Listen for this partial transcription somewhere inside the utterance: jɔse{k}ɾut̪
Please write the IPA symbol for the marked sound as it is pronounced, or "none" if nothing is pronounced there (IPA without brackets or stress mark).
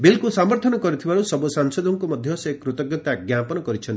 k